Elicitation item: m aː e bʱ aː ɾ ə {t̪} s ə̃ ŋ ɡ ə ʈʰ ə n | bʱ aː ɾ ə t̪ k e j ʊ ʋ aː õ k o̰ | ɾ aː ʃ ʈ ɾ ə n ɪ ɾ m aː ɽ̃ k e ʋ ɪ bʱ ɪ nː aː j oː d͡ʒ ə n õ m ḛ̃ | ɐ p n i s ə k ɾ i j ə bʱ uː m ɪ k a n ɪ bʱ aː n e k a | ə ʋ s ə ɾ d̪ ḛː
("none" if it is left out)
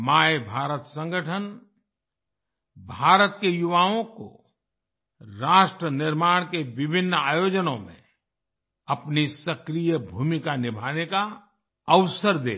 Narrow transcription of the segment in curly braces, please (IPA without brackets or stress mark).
t̪